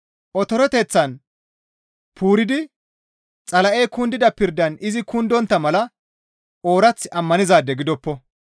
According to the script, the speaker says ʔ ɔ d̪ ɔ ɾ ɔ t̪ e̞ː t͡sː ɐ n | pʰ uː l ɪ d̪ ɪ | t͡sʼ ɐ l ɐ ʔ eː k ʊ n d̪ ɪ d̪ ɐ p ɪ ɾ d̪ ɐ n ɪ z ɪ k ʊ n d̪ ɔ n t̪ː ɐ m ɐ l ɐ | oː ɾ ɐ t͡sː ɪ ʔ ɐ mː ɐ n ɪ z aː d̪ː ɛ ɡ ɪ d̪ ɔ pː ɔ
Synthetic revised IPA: ʔ ɔ t̪ ɔ ɾ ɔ t̪ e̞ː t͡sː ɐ n | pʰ uː ɾ ɪ d̪ ɪ | t͡sʼ ɐ l ɐ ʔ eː k ʊ n d̪ ɪ d̪ ɐ p ɪ ɾ d̪ ɐ n ɪ z ɪ k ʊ n d̪ ɔ n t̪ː ɐ m ɐ l ɐ | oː ɾ ɐ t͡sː ɪ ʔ ɐ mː ɐ n ɪ z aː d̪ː ɛ ɡ ɪ d̪ ɔ pː ɔ